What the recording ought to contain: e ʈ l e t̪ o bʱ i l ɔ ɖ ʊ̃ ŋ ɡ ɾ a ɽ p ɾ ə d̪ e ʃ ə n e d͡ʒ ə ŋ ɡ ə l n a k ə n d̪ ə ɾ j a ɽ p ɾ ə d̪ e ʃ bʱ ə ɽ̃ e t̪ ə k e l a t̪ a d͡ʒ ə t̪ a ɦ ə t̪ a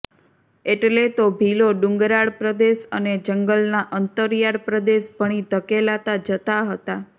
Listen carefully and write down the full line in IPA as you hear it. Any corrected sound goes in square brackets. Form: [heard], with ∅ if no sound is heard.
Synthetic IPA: e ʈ l e t̪ o bʱ i l [o] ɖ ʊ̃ ŋ ɡ ɾ a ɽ p ɾ ə d̪ e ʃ ə n e d͡ʒ ə ŋ ɡ ə l n a [ʔ] ə n [t̪] ə ɾ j a ɽ p ɾ ə d̪ e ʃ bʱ ə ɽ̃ [i] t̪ ə k e l a t̪ a d͡ʒ ə t̪ a ɦ ə t̪ a

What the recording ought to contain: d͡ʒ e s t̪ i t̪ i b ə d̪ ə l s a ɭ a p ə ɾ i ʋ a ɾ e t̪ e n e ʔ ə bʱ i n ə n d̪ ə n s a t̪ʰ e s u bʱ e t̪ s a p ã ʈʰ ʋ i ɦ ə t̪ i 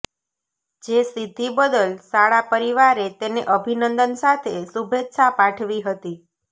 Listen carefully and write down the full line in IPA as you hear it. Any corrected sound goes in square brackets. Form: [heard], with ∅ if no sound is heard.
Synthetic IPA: d͡ʒ e s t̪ i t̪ i b ə d̪ ə l s a ɭ a p ə ɾ i ʋ a ɾ e t̪ e n e ʔ ə bʱ i n ə n d̪ ə n s a t̪ʰ e s u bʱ e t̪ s a p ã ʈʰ ʋ i ɦ ə t̪ i

